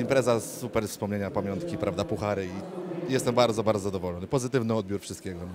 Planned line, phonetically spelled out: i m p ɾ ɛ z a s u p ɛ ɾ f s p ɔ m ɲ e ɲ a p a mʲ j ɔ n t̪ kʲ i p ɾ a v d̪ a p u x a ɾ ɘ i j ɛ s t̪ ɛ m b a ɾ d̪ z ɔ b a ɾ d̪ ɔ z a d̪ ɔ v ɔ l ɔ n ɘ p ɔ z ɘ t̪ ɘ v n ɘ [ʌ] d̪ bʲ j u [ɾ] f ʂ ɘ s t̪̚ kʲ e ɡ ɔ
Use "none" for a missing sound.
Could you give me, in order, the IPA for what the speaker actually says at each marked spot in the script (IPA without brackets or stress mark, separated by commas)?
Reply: ɔ, ɾ